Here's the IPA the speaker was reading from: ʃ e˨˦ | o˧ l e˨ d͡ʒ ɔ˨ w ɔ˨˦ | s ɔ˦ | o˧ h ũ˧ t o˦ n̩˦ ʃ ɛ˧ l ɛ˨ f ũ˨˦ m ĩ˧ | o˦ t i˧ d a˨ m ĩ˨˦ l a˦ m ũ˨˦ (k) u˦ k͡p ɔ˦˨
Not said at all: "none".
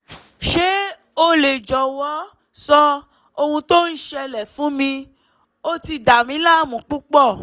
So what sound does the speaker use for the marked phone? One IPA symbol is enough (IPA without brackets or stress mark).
k͡p